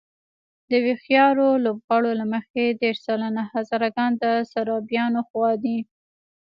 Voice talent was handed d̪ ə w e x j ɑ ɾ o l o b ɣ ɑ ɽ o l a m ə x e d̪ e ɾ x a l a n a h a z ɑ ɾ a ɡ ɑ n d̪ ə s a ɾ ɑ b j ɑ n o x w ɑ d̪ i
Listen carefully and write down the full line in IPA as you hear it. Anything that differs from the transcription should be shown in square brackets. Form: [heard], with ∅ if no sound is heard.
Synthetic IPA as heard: d̪ ə w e x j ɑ ɾ o l o b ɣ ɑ ɽ o l a m ə x e d̪ e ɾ [s] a l a n a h a z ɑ ɾ a ɡ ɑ n d̪ ə s a ɾ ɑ b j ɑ n o x w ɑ d̪ i